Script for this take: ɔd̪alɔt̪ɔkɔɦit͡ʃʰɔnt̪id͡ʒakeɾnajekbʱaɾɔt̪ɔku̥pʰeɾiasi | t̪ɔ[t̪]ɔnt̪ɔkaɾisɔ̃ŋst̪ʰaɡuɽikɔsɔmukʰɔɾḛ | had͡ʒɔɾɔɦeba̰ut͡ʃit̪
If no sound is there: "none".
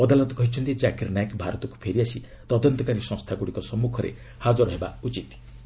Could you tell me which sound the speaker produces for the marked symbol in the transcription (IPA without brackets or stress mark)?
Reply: d̪